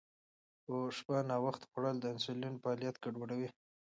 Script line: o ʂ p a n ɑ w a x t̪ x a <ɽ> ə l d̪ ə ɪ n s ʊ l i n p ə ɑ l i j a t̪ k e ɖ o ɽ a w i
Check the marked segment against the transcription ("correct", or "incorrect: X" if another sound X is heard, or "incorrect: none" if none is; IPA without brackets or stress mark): correct